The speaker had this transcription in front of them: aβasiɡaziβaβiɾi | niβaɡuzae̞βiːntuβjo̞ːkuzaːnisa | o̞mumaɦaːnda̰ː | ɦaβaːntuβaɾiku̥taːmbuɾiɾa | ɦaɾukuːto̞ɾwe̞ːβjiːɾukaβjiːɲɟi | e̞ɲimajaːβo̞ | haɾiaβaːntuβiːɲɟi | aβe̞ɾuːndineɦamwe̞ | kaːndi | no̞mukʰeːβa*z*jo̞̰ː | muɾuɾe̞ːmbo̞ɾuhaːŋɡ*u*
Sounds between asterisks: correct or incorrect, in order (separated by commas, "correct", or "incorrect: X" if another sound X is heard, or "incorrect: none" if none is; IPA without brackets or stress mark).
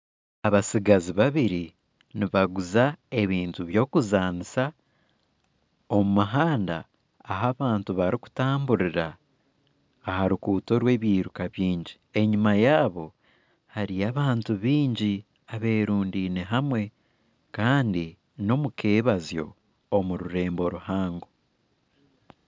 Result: correct, incorrect: o